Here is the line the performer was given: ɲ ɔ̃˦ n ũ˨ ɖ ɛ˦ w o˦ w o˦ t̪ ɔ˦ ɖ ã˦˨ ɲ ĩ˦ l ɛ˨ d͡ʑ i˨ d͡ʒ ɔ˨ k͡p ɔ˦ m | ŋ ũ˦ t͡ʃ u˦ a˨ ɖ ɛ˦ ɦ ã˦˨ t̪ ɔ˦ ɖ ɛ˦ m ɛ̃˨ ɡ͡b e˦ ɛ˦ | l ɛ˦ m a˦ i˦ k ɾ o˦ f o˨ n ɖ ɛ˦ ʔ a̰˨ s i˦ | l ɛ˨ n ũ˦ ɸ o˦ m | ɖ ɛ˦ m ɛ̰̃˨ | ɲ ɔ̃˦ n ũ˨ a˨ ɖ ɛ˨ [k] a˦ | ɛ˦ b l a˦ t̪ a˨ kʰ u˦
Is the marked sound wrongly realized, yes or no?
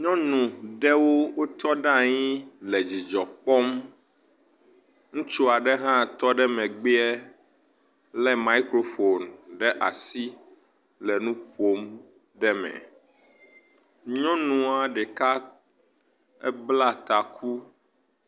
no